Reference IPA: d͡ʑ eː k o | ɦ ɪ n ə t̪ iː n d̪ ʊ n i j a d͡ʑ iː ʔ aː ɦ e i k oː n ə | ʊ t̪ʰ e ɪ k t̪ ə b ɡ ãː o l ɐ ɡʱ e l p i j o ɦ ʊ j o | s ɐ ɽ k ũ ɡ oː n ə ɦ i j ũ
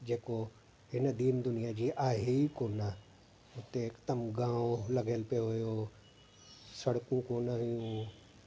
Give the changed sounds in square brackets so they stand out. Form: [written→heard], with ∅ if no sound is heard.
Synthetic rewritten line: d͡ʑ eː k o | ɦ ɪ n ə [t̪→d̪] iː n d̪ ʊ n i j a d͡ʑ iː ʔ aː ɦ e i k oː n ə | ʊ [t̪ʰ→t̪] e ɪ k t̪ ə [b→m] ɡ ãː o l ɐ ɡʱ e l p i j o ɦ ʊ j o | s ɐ ɽ k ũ [ɡ→k] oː n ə ɦ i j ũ